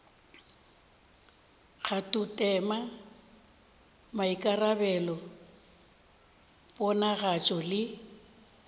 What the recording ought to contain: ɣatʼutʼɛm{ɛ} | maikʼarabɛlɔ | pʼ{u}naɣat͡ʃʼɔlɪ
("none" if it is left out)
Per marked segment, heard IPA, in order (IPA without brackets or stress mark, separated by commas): a, ɔ